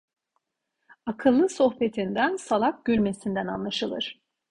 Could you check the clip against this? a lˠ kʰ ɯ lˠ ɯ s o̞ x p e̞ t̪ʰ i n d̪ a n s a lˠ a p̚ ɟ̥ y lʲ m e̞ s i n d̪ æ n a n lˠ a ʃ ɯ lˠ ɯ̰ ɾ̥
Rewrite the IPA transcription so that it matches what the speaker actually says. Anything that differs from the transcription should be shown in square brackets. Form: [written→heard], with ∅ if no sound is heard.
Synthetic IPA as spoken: a [lˠ→∅] kʰ ɯ [lˠ→lˠː] ɯ s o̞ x p e̞ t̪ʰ i n d̪ [a→æ] n s a lˠ a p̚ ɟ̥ y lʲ m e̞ s i n d̪ æ n a n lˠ a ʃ ɯ lˠ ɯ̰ ɾ̥

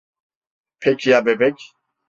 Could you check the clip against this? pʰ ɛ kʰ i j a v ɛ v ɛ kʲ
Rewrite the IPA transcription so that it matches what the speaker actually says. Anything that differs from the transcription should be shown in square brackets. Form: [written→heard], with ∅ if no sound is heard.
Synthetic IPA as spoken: pʰ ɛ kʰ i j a [v→b] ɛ [v→b] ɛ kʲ

